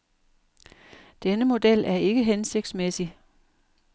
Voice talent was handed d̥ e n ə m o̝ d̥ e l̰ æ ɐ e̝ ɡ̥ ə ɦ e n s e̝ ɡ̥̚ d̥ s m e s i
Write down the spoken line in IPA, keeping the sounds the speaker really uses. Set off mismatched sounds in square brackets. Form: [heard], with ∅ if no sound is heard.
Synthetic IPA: d̥ e n ə m o̝ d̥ e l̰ æ ɐ e̝ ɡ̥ ə ɦ e n s e̝ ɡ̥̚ d̥ s m e s i